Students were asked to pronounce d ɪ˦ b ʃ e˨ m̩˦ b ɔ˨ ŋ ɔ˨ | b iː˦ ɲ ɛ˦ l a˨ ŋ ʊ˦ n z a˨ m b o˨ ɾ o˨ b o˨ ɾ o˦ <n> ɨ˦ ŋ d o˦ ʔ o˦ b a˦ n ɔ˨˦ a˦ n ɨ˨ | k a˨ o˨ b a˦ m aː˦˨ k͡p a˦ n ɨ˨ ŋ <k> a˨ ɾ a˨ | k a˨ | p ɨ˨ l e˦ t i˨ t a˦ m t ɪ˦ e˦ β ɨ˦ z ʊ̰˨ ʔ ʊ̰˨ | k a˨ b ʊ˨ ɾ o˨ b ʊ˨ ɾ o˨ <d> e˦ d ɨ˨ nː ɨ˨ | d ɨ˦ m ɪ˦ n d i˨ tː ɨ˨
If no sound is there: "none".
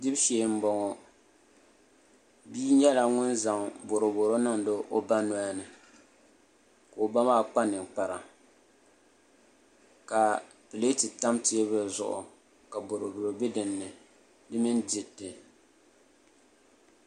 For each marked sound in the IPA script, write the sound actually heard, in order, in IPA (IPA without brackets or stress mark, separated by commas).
n, k͡p, b